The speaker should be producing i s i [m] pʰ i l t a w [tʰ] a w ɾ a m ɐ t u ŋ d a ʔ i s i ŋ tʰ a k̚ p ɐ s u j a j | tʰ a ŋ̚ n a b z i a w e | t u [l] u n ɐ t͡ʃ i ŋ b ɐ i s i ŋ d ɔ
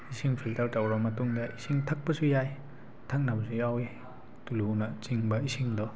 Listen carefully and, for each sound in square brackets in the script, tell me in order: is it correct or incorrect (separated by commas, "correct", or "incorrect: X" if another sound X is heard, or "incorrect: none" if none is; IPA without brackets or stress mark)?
incorrect: ŋ, incorrect: t, correct